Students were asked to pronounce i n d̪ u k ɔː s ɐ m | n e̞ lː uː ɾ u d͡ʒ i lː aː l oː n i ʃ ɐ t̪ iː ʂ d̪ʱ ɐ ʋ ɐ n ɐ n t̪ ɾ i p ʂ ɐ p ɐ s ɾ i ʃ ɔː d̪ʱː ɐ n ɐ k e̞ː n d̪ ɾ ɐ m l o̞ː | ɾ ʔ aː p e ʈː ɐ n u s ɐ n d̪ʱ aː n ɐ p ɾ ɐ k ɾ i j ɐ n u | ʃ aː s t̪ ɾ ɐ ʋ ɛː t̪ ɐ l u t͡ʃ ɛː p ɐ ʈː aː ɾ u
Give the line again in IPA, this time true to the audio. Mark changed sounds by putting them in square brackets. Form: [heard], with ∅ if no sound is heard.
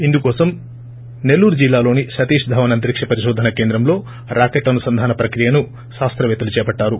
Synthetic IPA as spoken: i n d̪ u k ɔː s ɐ m | n e̞ lː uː ɾ u d͡ʒ i lː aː l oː n i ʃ ɐ t̪ iː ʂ d̪ʱ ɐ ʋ ɐ n ɐ n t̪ ɾ i [k] ʂ ɐ p ɐ [∅] ɾ i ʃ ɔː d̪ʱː ɐ n ɐ k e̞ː n d̪ ɾ ɐ m l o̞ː | ɾ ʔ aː [k] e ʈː ɐ n u s ɐ n d̪ʱ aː n ɐ p ɾ ɐ k ɾ i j ɐ n u | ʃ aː s t̪ ɾ ɐ ʋ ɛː t̪ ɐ l u t͡ʃ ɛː p ɐ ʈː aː ɾ u

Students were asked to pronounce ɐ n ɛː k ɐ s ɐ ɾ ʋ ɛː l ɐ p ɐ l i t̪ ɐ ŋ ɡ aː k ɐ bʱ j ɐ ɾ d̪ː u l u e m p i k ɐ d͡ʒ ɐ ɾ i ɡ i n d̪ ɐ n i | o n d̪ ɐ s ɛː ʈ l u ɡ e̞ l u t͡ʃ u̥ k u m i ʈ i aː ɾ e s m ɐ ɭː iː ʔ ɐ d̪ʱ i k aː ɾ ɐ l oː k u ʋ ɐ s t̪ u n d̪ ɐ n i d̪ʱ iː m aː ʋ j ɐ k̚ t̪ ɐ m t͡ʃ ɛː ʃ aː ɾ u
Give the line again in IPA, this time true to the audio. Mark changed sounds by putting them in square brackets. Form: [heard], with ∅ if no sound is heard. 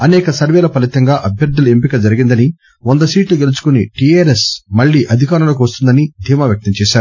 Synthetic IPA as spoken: ɐ n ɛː k ɐ s ɐ ɾ ʋ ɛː l ɐ p ɐ l i t̪ ɐ ŋ ɡ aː [ʔ] ɐ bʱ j ɐ ɾ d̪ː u l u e m p i k ɐ d͡ʒ ɐ ɾ i ɡ i n d̪ ɐ n i | o n d̪ ɐ s [iː] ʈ l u ɡ e̞ l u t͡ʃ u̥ k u [n] i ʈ i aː ɾ e s m ɐ ɭː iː ʔ ɐ d̪ʱ i k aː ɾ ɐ l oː k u ʋ ɐ s t̪ u n d̪ ɐ n i d̪ʱ iː m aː ʋ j ɐ k̚ t̪ ɐ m t͡ʃ ɛː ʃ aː ɾ u

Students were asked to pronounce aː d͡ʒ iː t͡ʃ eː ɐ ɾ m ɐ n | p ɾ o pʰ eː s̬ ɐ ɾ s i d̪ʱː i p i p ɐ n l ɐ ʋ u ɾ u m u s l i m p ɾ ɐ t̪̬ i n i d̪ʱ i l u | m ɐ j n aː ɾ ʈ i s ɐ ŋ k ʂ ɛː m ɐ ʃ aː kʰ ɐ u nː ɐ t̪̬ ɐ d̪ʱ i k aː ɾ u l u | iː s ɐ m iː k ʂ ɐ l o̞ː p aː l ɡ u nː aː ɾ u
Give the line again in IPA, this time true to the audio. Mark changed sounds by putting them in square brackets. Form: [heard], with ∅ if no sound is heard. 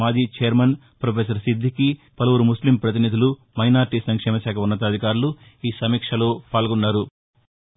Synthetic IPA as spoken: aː d͡ʒ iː t͡ʃ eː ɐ ɾ m ɐ n | p ɾ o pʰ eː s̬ ɐ ɾ s i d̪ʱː i [k] i p ɐ [∅] l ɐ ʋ u ɾ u m u s l i m p ɾ ɐ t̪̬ i n i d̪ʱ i l u | m ɐ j n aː ɾ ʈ i s ɐ ŋ k ʂ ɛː m ɐ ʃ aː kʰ ɐ u nː ɐ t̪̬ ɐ d̪ʱ i k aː ɾ u l u | iː s ɐ m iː k ʂ ɐ l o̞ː p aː l ɡ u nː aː ɾ u

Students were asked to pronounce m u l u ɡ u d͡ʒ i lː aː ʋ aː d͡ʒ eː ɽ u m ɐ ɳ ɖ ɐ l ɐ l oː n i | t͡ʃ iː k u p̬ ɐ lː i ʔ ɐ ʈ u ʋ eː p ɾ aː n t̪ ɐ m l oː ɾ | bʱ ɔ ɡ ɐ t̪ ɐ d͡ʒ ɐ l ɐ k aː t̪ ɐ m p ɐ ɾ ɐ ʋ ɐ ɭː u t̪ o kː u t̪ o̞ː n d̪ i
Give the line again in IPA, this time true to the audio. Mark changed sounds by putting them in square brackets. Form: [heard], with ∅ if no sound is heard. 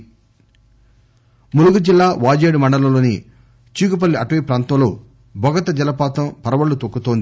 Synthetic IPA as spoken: m u l u ɡ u d͡ʒ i lː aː ʋ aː d͡ʒ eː ɽ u m ɐ ɳ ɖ ɐ l ɐ l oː n i | t͡ʃ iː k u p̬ ɐ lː i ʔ ɐ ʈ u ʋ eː p ɾ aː n t̪ ɐ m l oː [∅] | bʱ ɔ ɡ ɐ t̪ ɐ d͡ʒ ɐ l ɐ [p] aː t̪ ɐ m p ɐ ɾ ɐ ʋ ɐ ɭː u t̪ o kː u t̪ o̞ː n d̪ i

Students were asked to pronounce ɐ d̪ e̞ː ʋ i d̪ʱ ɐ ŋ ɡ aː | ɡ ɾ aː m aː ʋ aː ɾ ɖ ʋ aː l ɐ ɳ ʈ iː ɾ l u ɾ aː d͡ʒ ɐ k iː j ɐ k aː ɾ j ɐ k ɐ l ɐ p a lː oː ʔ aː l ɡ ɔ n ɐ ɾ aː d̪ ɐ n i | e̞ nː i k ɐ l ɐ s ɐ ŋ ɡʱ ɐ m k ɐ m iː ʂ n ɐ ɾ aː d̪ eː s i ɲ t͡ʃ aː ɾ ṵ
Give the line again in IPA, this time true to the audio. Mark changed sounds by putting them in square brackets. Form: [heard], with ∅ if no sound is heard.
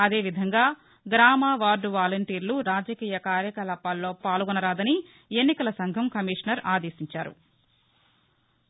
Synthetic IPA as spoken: ɐ d̪ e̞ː ʋ i d̪ʱ ɐ ŋ ɡ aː | ɡ ɾ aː m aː ʋ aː ɾ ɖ ʋ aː l ɐ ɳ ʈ iː ɾ l u ɾ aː d͡ʒ ɐ k iː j ɐ k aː ɾ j ɐ k ɐ l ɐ p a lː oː [p] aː l ɡ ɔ n ɐ ɾ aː d̪ ɐ n i | e̞ nː i k ɐ l ɐ s ɐ ŋ ɡʱ ɐ m k ɐ m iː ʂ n ɐ ɾ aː d̪ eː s i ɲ t͡ʃ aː ɾ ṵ

